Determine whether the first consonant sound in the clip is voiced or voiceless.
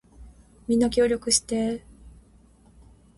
voiced